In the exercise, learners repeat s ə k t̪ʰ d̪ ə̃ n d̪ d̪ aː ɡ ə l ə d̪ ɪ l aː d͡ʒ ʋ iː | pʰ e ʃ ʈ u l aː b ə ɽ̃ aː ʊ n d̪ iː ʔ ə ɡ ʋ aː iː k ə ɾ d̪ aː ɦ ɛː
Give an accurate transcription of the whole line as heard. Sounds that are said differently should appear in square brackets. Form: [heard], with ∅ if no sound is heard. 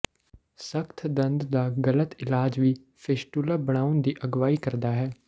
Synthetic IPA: s ə k t̪ʰ d̪ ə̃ n d̪ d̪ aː ɡ ə l ə [t̪] ɪ l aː d͡ʒ ʋ iː | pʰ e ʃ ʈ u l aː b ə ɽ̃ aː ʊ n d̪ iː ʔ ə ɡ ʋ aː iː k ə ɾ d̪ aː ɦ ɛː